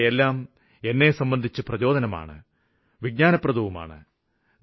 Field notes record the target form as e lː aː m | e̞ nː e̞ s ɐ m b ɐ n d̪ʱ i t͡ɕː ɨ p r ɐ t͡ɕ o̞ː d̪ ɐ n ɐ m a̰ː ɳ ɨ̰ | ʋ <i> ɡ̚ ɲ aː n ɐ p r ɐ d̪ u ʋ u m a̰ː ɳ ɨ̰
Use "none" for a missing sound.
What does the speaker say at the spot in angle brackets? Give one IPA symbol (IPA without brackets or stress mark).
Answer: i